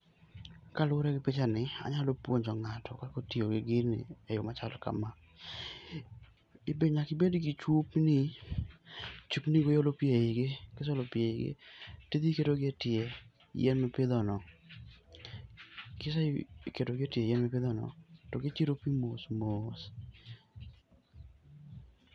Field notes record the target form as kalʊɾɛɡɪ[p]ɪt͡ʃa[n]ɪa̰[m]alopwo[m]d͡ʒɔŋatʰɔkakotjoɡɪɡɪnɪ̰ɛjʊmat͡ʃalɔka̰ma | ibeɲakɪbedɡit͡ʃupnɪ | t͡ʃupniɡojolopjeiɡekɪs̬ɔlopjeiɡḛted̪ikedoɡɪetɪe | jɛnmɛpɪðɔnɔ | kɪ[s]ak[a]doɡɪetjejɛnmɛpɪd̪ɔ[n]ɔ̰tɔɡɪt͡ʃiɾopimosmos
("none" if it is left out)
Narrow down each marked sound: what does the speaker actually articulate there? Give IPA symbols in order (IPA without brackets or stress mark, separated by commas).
p, n, ɲ, ɲ, s, e, n